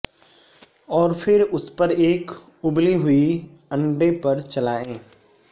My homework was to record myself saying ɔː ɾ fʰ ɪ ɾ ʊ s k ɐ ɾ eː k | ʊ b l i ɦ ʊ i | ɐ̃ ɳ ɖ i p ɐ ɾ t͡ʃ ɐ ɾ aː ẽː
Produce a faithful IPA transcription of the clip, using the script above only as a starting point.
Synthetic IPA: ɔː ɾ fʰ ɪ ɾ ʊ s p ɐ ɾ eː k | ʊ b l i ɦ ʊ i | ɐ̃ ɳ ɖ e p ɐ ɾ t͡ʃ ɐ l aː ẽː

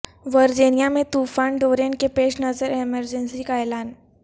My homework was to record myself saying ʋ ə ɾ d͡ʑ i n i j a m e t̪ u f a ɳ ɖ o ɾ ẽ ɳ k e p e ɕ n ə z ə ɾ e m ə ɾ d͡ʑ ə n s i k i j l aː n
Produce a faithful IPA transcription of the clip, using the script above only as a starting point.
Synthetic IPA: ʋ ə ɾ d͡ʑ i n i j a m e t̪ u f a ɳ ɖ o ɾ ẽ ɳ k e p e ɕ n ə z ə ɾ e m ə ɾ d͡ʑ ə n s i k a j l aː n

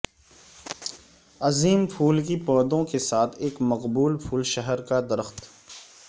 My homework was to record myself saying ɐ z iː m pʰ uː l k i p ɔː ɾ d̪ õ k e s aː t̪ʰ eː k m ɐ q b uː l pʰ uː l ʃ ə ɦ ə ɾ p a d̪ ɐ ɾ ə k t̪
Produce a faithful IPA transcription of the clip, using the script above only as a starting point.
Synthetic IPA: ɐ z iː m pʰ uː l k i p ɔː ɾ d̪ õ k e s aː t̪ʰ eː k m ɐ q b uː l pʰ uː l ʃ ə ɦ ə ɾ k a d̪ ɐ ɾ ə x t̪

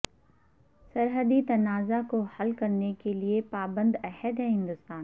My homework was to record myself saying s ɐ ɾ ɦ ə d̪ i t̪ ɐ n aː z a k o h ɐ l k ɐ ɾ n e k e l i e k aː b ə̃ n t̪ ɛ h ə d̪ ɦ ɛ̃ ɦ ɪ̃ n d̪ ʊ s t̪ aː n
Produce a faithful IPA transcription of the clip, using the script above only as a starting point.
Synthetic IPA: s ɐ ɾ ɦ ə d̪ i t̪ ɐ n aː z a k o h ɐ l k ɐ ɾ n e k e l i e p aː b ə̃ n d̪ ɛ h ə d̪ ɦ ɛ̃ ɦ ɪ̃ n d̪ ʊ s t̪ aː n

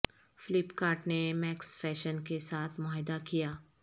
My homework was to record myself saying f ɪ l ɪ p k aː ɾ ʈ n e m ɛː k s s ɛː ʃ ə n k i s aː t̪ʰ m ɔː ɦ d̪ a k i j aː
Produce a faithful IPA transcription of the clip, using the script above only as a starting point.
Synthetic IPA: f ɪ l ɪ p k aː ɾ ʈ n e m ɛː k s f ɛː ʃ ə n k e s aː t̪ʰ m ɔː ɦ d̪ a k i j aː

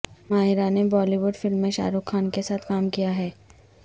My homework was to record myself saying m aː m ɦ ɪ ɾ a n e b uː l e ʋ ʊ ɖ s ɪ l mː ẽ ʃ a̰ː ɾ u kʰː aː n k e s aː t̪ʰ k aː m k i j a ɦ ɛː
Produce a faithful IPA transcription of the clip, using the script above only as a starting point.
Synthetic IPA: m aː ɦ ɪ ɾ a n e b ɔː l i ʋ ʊ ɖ f ɪ l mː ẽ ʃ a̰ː ɾ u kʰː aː n k e s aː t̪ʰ k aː m k i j a ɦ ɛː

